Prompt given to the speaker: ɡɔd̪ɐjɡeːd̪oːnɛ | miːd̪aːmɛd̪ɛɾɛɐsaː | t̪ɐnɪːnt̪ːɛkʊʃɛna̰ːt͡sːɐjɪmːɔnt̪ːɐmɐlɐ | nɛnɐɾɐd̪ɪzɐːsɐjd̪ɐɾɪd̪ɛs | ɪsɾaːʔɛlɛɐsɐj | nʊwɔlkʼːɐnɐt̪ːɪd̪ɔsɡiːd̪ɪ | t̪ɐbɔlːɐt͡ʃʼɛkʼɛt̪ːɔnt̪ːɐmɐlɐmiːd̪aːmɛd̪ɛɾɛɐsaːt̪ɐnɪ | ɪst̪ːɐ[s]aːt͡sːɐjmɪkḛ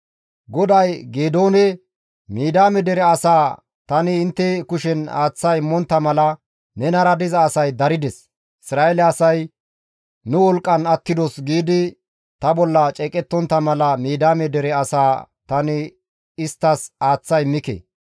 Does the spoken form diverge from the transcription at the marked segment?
no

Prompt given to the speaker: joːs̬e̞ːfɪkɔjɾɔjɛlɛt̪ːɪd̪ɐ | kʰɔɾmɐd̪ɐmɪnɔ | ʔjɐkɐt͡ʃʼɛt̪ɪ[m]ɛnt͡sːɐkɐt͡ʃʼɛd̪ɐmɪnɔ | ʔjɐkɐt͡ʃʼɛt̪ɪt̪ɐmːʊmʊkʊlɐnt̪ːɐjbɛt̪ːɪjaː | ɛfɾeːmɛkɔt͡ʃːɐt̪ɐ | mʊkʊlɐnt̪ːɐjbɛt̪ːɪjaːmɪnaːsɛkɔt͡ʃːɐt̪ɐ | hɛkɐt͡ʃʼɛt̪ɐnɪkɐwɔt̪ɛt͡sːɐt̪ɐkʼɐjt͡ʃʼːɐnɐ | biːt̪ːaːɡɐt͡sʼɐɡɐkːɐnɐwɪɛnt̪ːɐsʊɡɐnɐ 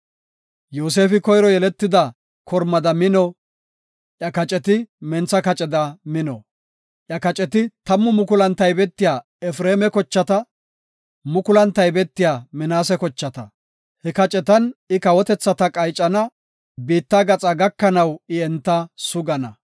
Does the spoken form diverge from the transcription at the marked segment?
no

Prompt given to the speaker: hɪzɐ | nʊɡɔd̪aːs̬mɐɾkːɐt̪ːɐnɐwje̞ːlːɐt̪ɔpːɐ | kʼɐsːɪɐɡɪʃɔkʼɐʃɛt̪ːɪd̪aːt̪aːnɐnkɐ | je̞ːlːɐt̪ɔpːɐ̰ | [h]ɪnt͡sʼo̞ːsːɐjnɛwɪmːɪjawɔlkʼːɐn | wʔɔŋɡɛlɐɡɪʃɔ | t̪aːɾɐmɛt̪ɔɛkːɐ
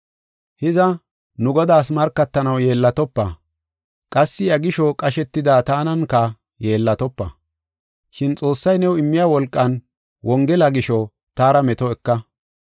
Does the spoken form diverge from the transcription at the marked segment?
yes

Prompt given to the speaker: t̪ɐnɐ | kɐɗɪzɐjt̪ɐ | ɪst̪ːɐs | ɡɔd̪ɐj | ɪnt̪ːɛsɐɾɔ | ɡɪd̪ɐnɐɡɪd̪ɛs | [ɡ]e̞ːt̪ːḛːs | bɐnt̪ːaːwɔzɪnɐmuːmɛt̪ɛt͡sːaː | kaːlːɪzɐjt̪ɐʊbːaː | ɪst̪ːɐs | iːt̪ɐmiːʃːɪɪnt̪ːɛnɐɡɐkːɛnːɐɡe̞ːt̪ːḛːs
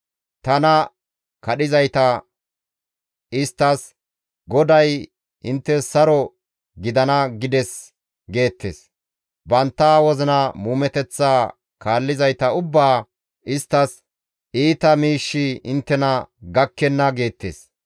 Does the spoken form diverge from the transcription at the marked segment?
no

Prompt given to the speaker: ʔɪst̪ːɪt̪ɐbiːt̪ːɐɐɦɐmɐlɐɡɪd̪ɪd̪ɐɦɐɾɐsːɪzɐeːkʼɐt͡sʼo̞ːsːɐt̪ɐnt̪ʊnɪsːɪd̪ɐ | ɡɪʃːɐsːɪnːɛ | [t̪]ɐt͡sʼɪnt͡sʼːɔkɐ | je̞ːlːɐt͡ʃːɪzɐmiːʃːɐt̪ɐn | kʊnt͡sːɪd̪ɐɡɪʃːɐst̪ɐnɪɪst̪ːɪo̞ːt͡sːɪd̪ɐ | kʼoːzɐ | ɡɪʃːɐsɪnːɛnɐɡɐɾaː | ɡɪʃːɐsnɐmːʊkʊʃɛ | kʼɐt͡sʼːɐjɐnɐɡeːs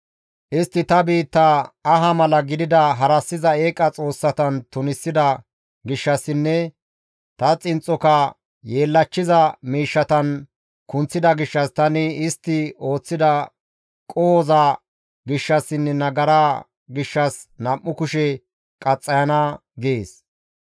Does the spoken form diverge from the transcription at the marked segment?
no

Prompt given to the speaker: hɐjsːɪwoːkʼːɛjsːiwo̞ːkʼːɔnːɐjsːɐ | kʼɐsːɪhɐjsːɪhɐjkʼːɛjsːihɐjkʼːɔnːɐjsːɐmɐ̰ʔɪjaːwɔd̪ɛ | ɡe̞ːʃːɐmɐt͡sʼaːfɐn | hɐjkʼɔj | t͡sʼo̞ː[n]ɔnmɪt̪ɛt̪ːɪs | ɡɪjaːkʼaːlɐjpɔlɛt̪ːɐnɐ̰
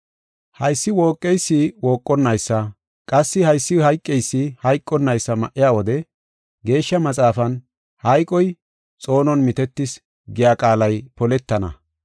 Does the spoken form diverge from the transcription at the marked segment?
no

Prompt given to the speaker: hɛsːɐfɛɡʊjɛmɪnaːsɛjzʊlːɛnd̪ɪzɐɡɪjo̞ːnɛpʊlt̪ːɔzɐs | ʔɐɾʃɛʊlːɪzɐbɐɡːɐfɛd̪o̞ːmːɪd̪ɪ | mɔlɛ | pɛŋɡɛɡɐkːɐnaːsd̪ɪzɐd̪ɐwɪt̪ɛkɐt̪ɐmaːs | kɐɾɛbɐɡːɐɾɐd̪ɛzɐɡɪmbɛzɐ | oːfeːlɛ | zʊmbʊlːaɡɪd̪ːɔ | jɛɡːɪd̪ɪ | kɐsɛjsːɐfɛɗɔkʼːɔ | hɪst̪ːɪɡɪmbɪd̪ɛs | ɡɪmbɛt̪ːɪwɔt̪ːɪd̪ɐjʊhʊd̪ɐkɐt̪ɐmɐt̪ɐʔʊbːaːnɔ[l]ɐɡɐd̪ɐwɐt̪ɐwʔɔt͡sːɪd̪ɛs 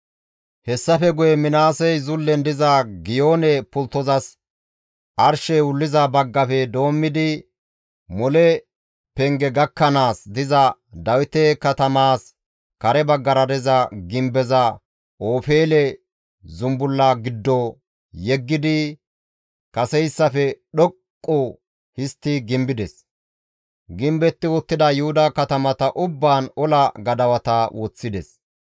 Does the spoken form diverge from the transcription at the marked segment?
no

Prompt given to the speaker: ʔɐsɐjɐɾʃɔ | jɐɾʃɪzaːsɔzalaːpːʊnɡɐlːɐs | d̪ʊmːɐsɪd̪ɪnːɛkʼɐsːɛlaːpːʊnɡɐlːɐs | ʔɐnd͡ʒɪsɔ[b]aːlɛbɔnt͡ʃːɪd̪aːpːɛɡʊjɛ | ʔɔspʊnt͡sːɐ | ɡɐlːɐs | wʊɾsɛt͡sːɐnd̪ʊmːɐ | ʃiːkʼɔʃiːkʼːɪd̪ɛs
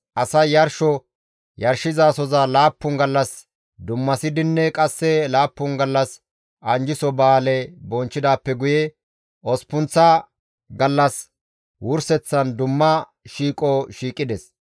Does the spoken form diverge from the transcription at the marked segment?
no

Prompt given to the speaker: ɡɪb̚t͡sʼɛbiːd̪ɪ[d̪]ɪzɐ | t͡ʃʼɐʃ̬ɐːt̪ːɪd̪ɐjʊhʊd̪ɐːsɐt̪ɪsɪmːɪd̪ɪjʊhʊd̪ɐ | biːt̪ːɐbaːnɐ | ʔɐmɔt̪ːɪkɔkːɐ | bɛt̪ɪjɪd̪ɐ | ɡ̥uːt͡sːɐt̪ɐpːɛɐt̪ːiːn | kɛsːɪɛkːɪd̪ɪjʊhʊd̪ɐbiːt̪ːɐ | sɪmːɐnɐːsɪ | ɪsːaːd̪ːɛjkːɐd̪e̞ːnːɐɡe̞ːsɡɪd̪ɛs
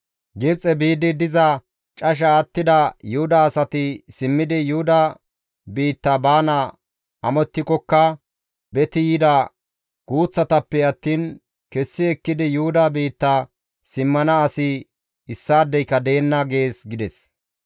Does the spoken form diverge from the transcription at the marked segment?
no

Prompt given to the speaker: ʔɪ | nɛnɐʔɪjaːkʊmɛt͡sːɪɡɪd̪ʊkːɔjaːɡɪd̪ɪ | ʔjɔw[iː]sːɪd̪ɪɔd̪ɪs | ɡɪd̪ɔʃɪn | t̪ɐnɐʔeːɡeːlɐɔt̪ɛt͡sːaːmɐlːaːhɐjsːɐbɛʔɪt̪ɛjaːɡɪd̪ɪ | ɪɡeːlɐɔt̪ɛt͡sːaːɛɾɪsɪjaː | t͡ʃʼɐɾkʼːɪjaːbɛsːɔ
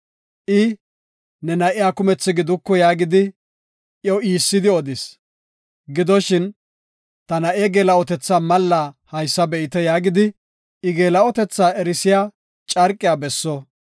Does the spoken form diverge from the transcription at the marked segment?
no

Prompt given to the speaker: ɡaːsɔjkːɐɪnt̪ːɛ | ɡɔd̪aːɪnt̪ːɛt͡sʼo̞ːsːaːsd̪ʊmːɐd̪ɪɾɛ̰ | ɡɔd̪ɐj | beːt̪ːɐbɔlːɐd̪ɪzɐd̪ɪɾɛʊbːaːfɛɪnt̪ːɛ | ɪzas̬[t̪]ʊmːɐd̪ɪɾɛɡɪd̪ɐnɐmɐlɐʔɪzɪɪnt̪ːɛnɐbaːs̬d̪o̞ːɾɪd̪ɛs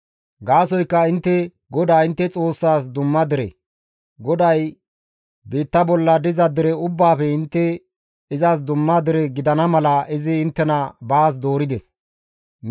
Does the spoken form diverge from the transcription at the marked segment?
yes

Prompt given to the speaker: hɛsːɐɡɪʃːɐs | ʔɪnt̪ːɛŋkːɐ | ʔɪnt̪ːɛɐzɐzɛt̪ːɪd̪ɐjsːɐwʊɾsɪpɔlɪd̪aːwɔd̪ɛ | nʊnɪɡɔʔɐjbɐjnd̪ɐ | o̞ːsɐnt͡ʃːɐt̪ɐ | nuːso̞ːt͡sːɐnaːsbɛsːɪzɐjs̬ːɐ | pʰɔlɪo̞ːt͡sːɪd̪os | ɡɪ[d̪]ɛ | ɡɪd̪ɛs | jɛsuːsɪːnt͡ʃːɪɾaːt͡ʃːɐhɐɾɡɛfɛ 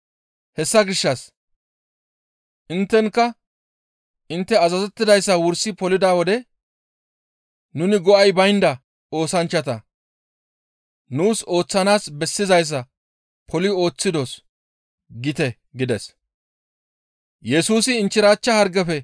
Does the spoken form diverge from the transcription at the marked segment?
yes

